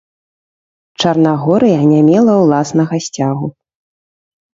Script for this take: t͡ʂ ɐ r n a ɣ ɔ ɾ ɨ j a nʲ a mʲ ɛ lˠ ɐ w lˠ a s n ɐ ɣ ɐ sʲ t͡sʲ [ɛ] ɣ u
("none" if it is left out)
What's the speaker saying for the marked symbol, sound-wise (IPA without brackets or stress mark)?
a